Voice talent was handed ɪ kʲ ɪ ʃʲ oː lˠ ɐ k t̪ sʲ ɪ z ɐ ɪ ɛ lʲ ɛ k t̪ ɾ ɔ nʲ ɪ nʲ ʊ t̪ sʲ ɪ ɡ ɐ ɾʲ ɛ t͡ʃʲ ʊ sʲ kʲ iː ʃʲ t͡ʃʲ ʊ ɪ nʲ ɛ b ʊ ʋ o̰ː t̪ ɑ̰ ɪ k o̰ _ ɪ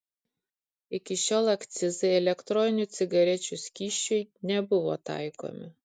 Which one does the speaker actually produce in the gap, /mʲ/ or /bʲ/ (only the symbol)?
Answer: mʲ